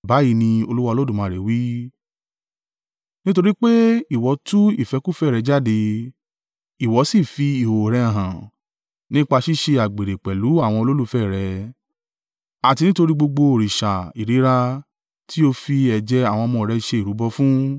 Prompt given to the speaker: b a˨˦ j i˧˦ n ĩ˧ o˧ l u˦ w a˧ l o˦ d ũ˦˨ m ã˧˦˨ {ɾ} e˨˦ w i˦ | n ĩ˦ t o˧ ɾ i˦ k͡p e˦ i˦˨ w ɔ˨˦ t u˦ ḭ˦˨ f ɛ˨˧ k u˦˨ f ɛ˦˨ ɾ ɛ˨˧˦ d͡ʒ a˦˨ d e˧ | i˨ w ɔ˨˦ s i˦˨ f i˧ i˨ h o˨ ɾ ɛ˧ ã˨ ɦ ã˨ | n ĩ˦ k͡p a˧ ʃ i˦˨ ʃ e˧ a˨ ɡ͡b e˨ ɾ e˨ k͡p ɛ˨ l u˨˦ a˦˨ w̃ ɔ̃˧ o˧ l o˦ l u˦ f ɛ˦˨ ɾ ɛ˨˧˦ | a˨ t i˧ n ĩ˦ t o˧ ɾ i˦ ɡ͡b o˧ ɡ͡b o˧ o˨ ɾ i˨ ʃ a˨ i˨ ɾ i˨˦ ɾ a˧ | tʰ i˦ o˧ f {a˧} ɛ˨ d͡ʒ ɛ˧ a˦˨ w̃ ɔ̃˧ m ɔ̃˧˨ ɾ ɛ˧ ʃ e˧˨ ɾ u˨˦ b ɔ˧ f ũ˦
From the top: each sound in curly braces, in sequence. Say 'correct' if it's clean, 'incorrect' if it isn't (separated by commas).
correct, incorrect